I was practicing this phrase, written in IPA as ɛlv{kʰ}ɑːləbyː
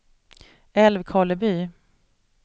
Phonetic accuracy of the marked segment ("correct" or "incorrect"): correct